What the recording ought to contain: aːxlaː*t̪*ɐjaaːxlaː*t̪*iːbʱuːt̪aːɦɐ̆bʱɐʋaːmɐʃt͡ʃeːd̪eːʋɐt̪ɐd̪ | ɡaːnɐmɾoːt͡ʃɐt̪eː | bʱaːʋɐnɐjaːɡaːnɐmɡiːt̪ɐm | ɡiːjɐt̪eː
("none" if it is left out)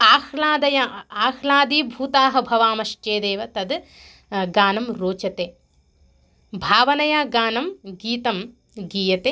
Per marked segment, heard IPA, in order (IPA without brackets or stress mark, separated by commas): d̪, d̪